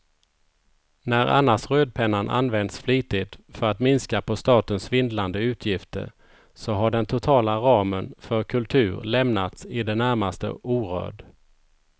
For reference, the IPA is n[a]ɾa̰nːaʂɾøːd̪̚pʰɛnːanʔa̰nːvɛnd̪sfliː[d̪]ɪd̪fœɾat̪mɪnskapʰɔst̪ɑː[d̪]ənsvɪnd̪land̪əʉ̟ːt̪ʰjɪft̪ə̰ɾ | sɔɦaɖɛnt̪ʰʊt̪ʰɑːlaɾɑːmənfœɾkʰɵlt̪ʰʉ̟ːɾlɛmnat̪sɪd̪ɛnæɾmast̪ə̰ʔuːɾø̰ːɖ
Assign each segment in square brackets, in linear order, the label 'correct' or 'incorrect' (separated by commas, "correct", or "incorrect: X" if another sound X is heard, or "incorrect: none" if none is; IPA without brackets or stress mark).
incorrect: æ, incorrect: t̪, incorrect: t̪